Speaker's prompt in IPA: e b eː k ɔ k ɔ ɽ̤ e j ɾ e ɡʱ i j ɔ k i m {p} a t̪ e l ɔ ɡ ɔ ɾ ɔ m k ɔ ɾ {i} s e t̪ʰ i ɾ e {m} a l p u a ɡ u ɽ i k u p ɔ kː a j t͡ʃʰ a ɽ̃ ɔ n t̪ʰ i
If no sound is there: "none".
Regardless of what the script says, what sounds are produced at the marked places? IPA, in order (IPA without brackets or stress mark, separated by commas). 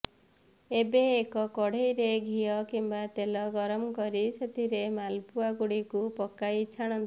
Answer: b, i, m